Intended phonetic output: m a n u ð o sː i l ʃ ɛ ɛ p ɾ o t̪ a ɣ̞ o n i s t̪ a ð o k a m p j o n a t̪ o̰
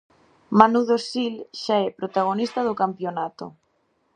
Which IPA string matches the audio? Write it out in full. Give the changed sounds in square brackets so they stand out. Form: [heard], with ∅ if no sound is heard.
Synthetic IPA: m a n u ð o [s] i l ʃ [a] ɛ p ɾ o t̪ a ɣ̞ o n i s t̪ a ð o k a m p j o n a t̪ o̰